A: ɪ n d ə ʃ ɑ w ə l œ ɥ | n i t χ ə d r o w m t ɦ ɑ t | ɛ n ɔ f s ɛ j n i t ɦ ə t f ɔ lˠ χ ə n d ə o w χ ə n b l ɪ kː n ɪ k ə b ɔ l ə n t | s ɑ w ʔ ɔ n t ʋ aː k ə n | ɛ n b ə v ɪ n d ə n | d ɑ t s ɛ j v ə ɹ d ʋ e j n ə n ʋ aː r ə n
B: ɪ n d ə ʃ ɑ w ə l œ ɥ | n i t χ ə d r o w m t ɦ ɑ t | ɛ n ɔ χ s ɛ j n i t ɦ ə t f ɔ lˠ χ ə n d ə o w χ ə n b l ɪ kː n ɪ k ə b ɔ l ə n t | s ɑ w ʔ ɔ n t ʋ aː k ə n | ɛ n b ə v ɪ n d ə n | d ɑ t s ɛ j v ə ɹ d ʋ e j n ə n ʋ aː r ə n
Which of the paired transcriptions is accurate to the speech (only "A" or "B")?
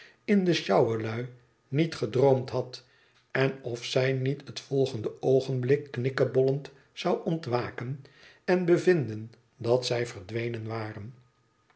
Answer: A